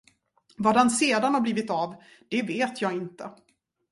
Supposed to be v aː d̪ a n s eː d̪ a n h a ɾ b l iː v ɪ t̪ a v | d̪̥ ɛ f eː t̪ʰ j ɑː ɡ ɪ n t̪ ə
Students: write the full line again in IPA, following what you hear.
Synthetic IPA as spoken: v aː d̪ a n s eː d̪ a n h a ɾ b l iː v ɪ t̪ a v | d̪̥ ɛ v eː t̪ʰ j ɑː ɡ ɪ n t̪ ə